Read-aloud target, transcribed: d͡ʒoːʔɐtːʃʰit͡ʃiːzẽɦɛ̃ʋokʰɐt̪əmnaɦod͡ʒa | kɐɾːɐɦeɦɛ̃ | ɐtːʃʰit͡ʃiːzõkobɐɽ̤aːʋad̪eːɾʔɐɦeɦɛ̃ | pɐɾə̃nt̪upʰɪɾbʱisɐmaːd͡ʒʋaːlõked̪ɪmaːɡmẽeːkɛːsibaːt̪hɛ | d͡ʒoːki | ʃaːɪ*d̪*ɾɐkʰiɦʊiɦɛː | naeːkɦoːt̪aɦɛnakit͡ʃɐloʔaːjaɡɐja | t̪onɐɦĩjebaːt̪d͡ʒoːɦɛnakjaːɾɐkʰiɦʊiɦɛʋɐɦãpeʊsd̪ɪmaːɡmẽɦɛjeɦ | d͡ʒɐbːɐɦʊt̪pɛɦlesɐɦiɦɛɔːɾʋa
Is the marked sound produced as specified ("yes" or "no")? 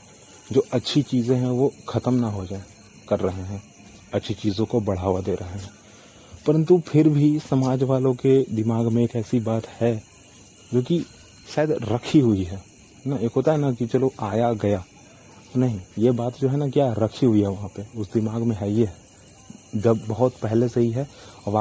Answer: yes